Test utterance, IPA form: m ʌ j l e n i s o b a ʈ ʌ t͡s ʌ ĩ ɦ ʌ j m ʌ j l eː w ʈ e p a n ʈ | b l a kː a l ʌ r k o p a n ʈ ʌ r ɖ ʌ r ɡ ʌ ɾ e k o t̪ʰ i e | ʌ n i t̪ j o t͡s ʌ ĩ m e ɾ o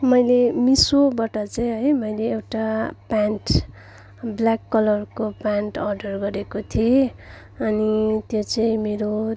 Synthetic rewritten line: m ʌ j l e m i s o b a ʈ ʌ t͡s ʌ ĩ ɦ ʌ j m ʌ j l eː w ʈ a p a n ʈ | b l a kː ʌ l ʌ r k o p a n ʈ ʌ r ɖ ʌ r ɡ ʌ ɾ e k o t̪ʰ i e | ʌ n i t̪ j o t͡s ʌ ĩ m e ɾ o